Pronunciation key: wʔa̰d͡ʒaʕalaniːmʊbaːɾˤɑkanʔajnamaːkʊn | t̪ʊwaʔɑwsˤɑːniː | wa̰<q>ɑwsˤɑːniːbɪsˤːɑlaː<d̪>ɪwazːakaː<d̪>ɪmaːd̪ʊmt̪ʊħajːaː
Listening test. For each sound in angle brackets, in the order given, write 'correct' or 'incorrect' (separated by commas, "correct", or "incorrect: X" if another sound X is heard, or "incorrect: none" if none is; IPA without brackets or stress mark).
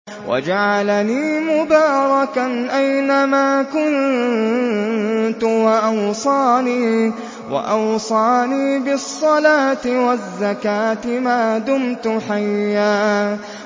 incorrect: ʔ, incorrect: t̪, incorrect: t̪